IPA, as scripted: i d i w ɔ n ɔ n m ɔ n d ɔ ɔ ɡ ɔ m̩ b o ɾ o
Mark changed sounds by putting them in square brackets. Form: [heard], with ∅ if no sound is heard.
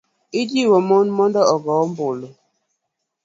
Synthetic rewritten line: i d i w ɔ [m] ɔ n m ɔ n d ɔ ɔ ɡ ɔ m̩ b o [l] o